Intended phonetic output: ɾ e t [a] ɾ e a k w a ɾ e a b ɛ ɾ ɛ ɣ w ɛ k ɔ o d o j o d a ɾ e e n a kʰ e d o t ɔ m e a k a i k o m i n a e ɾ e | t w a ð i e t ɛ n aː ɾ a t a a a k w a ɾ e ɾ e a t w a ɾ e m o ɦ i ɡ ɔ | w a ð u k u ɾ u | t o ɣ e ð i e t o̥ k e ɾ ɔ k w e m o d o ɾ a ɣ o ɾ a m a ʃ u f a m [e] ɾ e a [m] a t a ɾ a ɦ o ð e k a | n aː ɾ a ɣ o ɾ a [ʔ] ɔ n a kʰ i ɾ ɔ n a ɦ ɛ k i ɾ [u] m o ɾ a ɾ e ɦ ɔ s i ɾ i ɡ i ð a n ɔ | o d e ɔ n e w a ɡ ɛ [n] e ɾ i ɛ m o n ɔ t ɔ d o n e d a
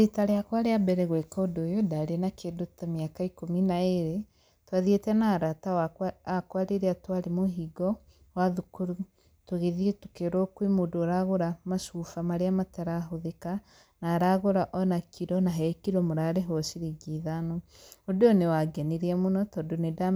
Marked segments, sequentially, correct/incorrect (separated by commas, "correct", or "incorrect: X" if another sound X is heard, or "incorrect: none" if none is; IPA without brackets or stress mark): correct, incorrect: a, correct, correct, incorrect: ɔ, correct